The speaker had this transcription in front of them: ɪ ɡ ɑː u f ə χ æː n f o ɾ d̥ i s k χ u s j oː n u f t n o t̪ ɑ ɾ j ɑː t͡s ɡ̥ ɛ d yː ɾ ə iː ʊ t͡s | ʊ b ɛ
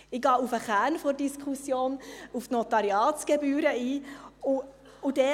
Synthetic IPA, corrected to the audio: ɪ ɡ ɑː u f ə χ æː n f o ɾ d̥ i s k χ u s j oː n u f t n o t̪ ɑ ɾ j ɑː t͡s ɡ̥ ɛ b yː ɾ ə iː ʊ | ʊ d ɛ